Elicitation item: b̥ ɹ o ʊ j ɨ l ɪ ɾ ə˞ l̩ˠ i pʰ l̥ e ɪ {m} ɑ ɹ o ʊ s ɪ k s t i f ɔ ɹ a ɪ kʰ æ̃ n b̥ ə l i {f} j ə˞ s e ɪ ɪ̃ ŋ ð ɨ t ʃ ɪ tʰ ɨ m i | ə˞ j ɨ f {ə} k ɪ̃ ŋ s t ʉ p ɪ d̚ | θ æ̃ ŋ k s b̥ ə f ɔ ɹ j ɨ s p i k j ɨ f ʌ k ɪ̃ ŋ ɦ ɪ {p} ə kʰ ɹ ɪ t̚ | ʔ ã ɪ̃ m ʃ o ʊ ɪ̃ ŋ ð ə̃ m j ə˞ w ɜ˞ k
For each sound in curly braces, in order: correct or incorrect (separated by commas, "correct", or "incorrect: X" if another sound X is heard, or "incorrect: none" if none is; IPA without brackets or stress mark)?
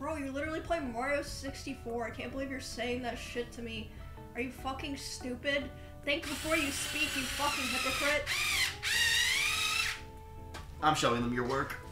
correct, incorrect: v, incorrect: ʌ, correct